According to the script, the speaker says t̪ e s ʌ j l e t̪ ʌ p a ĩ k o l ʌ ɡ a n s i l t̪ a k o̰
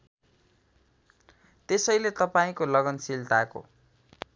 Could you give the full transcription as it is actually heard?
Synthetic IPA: t̪ e s ʌ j l e t̪ ʌ p a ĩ k o l ʌ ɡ ʌ n s i l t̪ a k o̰